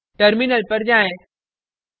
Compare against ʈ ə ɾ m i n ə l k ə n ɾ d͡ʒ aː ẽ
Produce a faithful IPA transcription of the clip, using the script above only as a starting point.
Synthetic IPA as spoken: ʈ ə ɾ m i n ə l p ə ɾ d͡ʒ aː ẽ